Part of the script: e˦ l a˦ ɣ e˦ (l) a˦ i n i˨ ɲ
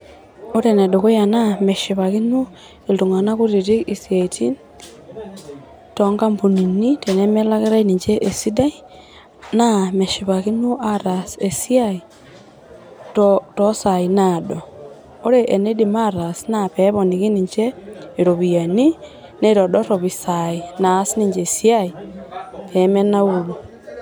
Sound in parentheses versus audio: incorrect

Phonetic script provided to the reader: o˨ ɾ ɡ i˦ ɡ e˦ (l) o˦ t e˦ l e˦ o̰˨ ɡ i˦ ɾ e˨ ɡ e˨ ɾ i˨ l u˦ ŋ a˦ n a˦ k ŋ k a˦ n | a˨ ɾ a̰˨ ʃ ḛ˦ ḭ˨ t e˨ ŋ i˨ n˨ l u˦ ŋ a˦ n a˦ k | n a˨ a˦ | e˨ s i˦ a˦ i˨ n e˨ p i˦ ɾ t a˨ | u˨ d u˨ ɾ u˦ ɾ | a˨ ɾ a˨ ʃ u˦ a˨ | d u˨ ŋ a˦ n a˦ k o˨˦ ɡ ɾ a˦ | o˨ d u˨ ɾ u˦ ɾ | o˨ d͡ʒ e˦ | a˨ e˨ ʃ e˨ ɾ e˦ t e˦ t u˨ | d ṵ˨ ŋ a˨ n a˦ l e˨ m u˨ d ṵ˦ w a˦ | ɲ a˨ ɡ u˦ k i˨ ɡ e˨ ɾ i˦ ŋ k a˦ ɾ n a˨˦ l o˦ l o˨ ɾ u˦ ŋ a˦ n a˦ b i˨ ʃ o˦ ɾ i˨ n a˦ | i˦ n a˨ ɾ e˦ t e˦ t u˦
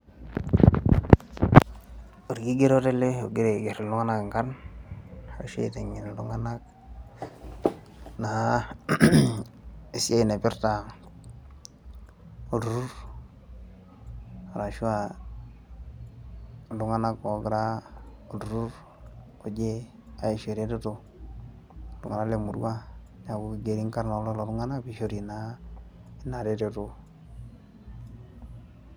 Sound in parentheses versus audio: incorrect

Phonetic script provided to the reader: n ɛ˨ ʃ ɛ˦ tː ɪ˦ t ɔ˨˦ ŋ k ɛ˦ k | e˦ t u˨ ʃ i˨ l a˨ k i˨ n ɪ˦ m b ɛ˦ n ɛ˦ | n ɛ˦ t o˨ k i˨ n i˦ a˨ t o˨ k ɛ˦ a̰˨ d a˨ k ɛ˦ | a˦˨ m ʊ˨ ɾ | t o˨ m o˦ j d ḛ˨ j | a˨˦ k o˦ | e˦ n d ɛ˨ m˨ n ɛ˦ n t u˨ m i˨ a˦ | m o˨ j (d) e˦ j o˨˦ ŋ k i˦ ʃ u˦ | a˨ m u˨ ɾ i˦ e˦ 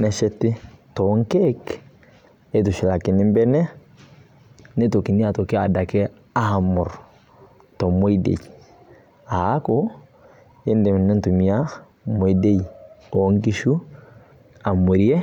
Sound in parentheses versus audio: correct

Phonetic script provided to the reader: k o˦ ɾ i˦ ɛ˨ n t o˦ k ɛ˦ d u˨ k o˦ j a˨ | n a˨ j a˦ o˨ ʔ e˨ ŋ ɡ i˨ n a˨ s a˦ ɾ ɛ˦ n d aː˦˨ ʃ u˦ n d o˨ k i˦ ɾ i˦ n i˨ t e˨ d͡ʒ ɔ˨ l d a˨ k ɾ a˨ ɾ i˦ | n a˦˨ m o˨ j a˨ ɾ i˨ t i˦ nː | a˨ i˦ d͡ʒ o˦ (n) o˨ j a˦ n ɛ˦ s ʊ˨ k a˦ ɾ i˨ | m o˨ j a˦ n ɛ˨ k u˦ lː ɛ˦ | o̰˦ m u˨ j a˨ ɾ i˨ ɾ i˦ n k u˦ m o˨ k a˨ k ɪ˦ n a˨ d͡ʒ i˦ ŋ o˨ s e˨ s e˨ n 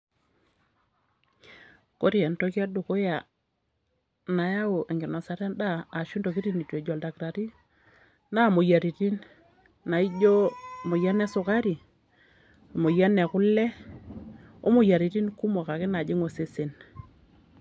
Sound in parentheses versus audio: incorrect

